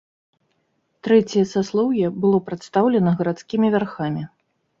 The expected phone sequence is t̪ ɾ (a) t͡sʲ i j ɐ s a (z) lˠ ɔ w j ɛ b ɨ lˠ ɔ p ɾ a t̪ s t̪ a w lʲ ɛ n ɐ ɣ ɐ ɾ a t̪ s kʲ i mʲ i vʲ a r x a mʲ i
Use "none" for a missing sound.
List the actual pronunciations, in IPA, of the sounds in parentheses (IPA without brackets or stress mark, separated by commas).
ɛ, s